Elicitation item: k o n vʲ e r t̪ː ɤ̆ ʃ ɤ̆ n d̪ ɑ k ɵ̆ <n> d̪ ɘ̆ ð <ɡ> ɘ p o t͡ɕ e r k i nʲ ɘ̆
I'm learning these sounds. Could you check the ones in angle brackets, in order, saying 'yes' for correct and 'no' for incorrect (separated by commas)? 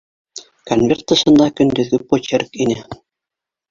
yes, yes